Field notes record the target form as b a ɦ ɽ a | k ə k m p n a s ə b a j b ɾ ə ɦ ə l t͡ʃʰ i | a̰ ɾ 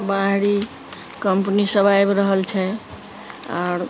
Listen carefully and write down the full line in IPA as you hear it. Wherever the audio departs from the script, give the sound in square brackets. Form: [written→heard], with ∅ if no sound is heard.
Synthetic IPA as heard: b a ɦ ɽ [a→i] | k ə [k→∅] m p n [a→i] s ə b a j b ɾ ə ɦ ə l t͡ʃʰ [i→ɛ] | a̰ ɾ